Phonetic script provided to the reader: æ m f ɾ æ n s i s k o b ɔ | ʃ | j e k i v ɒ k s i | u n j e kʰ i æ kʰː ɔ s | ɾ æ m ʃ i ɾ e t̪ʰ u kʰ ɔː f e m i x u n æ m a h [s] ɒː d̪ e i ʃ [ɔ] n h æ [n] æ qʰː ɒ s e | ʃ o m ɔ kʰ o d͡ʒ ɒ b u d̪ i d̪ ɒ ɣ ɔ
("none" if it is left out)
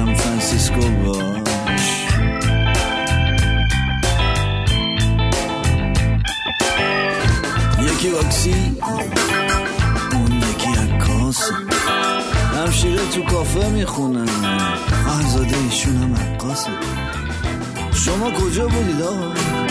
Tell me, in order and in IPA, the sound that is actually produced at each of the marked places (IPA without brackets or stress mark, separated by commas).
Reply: z, u, m